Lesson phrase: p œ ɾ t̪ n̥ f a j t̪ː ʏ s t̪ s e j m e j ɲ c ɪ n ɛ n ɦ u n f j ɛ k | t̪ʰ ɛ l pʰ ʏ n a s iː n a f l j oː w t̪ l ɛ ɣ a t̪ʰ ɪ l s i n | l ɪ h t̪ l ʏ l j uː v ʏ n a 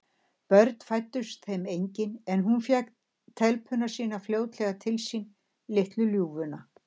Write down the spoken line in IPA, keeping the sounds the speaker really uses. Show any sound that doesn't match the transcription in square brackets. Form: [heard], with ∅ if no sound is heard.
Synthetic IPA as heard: p œ ɾ t̪ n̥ f a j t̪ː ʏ s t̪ [θ] e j m e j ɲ c ɪ n ɛ n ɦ u n f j ɛ k | t̪ʰ ɛ l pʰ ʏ n a s iː n a f l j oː w t̪ l ɛ ɣ a t̪ʰ ɪ l s i n | l ɪ h t̪ l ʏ l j uː v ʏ n a